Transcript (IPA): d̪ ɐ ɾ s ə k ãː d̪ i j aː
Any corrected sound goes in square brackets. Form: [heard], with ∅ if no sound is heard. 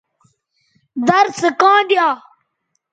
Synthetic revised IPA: d̪ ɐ ɾ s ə k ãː d̪ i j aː